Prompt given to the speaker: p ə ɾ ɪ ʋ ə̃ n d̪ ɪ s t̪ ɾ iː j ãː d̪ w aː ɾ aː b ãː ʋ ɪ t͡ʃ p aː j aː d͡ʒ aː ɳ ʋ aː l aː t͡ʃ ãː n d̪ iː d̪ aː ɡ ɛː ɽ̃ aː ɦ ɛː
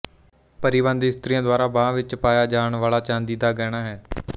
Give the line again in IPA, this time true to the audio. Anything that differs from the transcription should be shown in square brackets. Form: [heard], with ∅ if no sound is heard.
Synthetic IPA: p ə ɾ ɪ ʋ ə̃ n d̪ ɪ s t̪ ɾ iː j ãː d̪ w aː ɾ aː b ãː ʋ ɪ t͡ʃ p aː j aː d͡ʒ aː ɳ ʋ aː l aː t͡ʃ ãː n d̪ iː d̪ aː ɡ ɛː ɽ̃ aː ɦ ɛː